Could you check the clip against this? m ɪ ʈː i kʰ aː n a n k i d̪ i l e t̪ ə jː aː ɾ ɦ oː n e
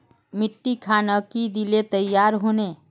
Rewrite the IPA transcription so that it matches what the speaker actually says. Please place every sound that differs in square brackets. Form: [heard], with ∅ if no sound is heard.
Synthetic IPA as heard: m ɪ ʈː i kʰ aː n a [∅] k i d̪ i l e t̪ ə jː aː ɾ ɦ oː n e